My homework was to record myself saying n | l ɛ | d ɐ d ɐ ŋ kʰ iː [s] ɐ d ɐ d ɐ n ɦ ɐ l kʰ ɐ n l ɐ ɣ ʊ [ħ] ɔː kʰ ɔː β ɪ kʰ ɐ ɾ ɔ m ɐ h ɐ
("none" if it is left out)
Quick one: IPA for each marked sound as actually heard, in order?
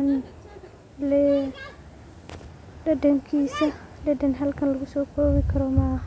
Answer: s, s

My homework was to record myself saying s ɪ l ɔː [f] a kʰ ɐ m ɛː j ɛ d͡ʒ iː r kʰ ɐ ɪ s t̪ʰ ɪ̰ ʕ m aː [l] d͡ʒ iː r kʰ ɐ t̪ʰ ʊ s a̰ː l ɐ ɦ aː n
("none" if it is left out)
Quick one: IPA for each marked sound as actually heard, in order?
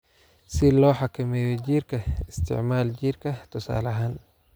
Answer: ħ, l

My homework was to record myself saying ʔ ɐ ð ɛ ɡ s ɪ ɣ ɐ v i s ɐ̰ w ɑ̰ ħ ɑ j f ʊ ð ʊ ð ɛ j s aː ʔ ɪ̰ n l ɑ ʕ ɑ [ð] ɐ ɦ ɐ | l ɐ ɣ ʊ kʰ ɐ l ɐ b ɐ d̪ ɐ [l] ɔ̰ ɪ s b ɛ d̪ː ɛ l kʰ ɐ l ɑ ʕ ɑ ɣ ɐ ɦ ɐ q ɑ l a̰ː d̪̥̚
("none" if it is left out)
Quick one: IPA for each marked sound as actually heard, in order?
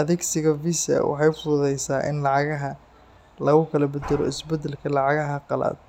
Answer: ɣ, l

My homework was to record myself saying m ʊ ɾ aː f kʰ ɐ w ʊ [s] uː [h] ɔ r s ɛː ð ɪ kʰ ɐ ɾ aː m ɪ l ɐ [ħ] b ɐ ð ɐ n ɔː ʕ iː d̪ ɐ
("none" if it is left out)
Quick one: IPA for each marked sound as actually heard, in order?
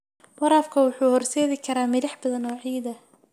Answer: ħ, h, ħ

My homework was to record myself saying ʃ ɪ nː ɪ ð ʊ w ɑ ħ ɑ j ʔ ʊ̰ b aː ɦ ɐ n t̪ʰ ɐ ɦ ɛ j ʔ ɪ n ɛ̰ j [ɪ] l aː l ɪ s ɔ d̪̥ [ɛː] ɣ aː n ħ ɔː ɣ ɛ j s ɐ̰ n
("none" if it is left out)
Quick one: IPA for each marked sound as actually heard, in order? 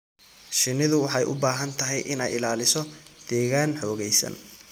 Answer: ɪ, ɛː

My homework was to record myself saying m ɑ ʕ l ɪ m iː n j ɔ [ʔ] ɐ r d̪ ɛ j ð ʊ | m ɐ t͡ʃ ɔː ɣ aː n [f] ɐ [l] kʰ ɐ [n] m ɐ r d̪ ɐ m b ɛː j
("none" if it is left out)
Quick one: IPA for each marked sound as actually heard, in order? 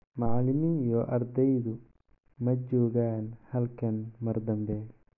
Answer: ʔ, h, l, n

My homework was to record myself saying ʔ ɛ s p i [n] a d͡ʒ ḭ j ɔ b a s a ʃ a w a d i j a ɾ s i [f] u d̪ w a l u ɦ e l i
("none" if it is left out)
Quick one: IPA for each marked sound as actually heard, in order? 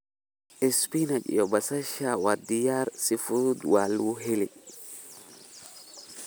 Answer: n, f

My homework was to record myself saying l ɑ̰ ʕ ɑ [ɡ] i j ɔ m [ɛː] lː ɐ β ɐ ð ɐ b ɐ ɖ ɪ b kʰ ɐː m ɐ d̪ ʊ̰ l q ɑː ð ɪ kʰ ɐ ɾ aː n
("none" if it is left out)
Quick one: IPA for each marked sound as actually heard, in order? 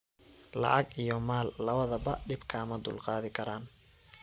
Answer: ɡ, aː

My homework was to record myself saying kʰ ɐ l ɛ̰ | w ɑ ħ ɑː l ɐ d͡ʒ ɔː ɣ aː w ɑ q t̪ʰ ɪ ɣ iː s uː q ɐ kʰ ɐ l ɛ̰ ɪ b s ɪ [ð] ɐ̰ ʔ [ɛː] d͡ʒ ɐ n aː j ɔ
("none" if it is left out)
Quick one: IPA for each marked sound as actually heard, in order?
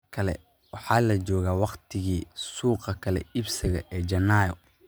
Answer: ɣ, ɛː

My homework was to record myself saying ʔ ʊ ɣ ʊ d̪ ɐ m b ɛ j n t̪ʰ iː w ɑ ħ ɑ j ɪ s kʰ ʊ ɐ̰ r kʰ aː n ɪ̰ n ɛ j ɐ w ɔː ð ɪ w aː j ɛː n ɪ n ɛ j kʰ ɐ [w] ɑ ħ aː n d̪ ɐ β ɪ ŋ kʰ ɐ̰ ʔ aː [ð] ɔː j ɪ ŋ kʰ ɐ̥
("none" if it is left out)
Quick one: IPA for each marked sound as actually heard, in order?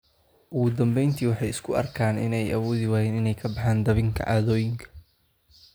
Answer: b, ð

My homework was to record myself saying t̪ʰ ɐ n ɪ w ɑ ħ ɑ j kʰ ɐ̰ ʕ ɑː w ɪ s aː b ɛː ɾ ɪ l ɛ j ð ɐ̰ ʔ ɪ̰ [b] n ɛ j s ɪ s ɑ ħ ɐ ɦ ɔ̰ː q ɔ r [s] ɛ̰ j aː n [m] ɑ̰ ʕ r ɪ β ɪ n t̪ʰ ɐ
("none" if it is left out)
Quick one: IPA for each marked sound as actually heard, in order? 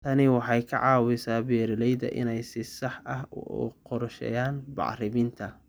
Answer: none, ʃ, b

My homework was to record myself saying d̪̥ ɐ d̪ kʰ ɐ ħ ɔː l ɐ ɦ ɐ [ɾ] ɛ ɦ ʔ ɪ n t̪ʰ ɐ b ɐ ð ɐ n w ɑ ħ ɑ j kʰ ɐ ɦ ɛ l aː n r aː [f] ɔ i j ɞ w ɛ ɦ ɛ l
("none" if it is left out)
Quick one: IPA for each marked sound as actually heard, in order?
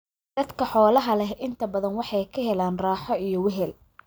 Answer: l, ħ

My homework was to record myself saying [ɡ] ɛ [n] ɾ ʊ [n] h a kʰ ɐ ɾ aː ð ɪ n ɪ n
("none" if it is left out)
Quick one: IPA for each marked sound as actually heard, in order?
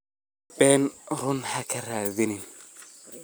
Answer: b, n, n

